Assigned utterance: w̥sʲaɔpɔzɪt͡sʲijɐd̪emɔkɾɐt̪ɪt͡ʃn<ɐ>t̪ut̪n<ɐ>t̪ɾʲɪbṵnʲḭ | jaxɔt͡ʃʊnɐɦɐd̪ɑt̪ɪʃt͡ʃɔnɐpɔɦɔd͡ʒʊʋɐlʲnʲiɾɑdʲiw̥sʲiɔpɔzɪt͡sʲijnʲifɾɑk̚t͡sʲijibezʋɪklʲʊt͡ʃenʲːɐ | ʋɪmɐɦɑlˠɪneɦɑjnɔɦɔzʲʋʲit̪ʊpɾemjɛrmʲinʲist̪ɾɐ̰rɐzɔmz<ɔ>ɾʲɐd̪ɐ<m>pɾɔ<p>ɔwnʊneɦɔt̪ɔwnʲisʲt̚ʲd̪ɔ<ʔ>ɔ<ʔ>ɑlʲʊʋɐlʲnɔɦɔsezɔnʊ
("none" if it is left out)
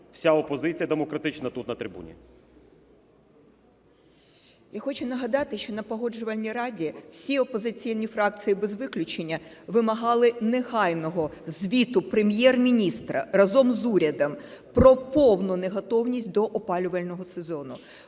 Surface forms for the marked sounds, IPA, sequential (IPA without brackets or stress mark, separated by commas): ɐ, ɐ, u, m, p, ʔ, p